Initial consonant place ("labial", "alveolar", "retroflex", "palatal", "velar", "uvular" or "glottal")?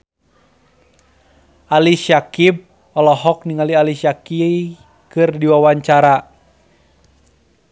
alveolar